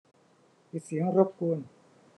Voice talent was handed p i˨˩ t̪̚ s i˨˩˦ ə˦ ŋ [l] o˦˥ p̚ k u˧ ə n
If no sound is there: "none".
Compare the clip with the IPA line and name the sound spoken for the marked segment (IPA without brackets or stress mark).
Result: ɾ